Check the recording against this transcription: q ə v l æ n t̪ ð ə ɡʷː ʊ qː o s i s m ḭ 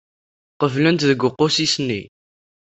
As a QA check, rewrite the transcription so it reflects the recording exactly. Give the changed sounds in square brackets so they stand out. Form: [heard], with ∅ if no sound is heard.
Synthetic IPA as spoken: q ə v l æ n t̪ ð ə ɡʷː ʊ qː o s i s [n] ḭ